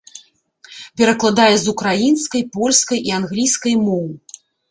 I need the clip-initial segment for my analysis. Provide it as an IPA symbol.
pʲ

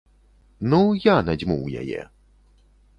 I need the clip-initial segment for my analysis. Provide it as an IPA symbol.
n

